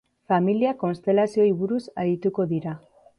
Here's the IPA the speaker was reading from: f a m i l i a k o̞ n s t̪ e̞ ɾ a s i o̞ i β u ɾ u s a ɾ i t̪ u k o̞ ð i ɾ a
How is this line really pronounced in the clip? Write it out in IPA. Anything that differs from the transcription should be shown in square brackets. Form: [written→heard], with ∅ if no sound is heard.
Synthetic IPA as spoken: f a m i l i a k o̞ n s t̪ e̞ [ɾ→l] a s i o̞ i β u ɾ u s a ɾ i t̪ u k o̞ ð i ɾ a